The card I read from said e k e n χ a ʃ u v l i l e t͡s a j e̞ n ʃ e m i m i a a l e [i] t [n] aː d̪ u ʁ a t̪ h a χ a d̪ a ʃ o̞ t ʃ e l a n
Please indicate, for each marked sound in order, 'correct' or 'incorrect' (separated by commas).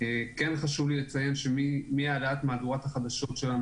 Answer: incorrect, incorrect